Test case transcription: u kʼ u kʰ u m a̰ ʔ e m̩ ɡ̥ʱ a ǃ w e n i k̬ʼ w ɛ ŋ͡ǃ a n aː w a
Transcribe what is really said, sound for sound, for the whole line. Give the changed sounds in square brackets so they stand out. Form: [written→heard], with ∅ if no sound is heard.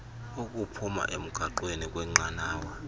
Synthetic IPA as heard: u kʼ u [kʰ→pʰ] u m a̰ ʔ e m̩ ɡ̥ʱ a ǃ w e n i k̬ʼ w ɛ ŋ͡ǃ a n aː w a